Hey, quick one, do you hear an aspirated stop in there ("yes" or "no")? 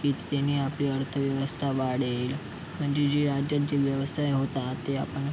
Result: yes